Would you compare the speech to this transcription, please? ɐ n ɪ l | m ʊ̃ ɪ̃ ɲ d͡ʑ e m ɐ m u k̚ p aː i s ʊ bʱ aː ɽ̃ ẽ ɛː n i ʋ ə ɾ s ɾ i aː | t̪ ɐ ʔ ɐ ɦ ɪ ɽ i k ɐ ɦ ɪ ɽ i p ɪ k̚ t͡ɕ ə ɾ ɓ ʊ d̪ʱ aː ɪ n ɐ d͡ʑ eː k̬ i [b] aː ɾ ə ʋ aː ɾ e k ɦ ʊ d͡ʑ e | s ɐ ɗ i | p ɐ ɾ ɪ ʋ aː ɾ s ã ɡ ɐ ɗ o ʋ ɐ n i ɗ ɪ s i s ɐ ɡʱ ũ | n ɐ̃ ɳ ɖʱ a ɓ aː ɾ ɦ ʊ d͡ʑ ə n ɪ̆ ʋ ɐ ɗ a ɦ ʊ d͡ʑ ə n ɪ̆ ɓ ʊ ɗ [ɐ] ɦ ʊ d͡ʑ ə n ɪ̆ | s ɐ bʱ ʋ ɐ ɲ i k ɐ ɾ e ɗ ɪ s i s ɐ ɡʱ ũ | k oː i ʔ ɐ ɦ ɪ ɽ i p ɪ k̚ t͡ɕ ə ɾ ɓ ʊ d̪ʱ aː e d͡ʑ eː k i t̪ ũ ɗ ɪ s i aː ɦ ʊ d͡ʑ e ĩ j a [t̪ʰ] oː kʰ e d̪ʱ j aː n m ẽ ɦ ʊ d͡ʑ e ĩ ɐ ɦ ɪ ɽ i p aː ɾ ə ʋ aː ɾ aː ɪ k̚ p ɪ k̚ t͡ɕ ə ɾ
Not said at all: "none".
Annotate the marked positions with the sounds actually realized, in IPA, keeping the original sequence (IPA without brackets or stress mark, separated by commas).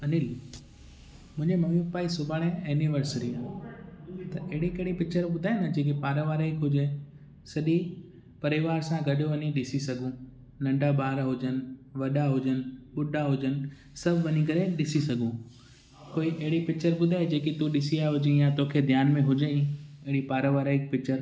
p, a, t̪